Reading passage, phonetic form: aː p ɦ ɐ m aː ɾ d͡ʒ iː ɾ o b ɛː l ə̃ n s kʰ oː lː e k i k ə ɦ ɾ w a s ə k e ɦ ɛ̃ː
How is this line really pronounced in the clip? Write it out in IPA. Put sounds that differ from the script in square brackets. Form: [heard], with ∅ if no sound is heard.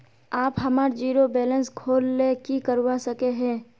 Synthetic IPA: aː p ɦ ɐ m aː ɾ d͡ʒ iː ɾ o b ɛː l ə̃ n s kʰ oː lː e k i k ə [∅] ɾ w a s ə k e ɦ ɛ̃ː